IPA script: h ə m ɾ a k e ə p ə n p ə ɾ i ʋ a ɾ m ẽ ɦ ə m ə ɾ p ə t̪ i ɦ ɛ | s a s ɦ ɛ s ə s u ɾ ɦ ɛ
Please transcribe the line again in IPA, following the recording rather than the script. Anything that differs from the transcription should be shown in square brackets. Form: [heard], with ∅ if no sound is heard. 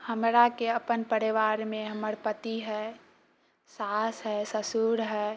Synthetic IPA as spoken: h ə m ɾ a k e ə p ə n p ə ɾ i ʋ a ɾ m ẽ ɦ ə m ə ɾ p ə t̪ i ɦ ɛ | s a s ɦ ɛ s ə s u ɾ ɦ ɛ